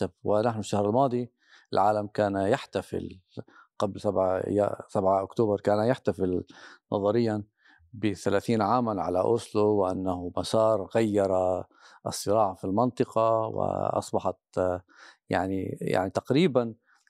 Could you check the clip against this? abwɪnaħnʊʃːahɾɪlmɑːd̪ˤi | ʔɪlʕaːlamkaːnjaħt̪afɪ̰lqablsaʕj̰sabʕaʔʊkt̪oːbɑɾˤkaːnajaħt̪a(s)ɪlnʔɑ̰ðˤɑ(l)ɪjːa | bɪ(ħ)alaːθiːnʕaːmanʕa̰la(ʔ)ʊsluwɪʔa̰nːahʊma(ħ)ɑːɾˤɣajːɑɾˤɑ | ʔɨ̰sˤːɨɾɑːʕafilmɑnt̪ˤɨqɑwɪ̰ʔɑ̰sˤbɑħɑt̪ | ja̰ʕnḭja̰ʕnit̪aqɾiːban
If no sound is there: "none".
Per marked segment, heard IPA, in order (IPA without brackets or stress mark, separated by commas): f, ɾ, θ, ʔ, s